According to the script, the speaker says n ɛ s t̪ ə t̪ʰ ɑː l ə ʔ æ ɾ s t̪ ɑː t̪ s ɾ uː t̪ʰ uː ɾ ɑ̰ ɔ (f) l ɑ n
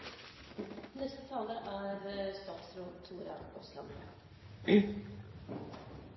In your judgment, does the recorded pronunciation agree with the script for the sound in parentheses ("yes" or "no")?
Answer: no